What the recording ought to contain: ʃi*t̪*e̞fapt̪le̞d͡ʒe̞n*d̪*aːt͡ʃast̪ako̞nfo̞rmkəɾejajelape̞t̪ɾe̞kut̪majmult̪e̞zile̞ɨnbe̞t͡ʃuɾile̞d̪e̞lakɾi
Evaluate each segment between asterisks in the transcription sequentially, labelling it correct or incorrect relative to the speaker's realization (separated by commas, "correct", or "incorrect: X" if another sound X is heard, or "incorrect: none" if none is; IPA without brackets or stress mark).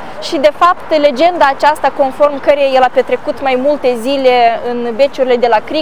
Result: incorrect: d̪, correct